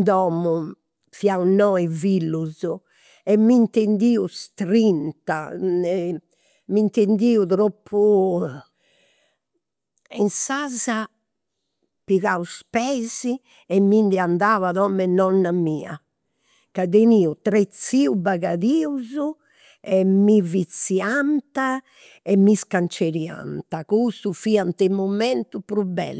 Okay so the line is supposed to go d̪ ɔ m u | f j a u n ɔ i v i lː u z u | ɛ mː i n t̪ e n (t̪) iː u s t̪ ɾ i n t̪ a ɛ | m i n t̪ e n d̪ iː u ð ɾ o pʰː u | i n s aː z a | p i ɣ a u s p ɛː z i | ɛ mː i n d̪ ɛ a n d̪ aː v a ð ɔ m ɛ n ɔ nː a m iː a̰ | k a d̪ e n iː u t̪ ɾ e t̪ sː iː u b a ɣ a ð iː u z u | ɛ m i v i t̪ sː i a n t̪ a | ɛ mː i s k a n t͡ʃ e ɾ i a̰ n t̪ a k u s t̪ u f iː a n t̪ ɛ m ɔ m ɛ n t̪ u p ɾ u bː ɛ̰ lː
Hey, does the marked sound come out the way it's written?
no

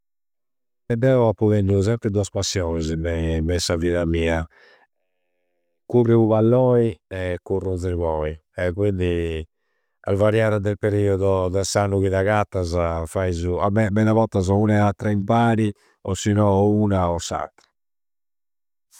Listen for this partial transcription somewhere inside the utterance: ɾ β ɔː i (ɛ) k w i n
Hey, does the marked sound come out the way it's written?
yes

